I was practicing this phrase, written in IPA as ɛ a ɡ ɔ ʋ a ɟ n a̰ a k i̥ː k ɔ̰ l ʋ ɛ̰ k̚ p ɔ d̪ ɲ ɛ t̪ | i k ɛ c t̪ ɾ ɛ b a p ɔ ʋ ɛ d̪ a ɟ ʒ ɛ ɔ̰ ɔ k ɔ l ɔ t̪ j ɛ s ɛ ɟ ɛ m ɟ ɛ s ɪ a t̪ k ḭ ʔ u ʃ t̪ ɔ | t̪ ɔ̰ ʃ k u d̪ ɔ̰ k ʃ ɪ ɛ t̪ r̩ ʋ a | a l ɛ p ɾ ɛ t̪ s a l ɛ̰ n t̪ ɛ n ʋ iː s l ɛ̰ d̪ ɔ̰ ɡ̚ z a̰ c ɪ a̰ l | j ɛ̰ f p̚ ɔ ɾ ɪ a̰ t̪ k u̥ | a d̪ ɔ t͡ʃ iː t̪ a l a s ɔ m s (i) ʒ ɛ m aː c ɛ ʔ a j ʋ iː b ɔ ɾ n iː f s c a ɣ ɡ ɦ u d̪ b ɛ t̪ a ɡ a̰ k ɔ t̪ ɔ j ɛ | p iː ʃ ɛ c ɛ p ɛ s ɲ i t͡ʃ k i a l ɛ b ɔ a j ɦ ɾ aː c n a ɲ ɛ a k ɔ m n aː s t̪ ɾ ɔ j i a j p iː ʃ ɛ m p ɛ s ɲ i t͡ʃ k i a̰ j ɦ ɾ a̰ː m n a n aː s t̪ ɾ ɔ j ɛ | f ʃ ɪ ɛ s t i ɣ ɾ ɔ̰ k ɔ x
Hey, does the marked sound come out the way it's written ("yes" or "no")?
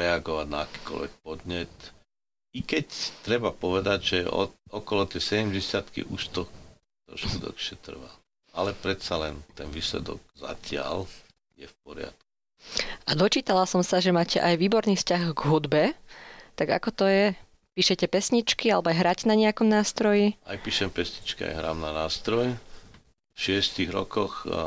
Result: no